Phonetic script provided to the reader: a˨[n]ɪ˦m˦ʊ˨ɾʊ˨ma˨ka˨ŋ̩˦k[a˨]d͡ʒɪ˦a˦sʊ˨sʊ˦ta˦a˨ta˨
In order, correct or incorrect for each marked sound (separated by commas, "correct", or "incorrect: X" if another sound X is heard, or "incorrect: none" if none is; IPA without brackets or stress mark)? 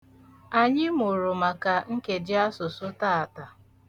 incorrect: ɲ, incorrect: e˨